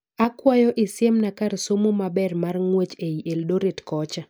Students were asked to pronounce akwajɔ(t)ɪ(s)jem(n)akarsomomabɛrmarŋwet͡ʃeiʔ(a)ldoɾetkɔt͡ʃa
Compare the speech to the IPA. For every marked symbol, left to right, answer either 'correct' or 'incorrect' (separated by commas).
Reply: incorrect, correct, correct, incorrect